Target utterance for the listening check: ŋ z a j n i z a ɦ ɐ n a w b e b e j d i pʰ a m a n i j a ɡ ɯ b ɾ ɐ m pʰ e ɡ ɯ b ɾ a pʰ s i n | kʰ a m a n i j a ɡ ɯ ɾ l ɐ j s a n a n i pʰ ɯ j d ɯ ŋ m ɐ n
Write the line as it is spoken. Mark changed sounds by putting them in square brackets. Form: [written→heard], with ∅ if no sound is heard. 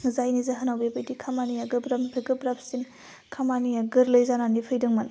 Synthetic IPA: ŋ z a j n i z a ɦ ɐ n a w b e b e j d i [pʰ→kʰ] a m a n i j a ɡ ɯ b ɾ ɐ m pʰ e ɡ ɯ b ɾ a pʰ s i n | kʰ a m a n i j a ɡ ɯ ɾ l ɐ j [s→z] a n a n i pʰ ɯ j d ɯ ŋ m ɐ n